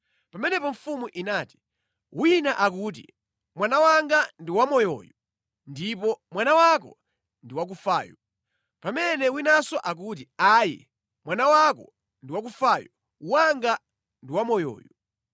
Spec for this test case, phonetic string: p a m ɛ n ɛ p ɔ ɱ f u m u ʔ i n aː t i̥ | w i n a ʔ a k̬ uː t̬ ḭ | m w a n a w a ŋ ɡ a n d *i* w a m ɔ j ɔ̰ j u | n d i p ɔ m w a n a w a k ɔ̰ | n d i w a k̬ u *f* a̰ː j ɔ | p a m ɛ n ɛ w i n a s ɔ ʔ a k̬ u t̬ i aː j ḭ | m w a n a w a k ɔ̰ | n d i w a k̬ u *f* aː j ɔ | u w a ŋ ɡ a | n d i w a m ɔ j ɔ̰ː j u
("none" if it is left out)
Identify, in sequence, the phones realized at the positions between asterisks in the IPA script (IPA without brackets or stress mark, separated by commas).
i, f, f